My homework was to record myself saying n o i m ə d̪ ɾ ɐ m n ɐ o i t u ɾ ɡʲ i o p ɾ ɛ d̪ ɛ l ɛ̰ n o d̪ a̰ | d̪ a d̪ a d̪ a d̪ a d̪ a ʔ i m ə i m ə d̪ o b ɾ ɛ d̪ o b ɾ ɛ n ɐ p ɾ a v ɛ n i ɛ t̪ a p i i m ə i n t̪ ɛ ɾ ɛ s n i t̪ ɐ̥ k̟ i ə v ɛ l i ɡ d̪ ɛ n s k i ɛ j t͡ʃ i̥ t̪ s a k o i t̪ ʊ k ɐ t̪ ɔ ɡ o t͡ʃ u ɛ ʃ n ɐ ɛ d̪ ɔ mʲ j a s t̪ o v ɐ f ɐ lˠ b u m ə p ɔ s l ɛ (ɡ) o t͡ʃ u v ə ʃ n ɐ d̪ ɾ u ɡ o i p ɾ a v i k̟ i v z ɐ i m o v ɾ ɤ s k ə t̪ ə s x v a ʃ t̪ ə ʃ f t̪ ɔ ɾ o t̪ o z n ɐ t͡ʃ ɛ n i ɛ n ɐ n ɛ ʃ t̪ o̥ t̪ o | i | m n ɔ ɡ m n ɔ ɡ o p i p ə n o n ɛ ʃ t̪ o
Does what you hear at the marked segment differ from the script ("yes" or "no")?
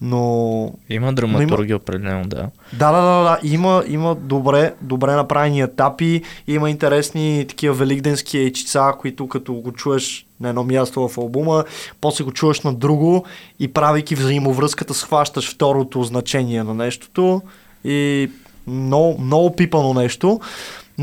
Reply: no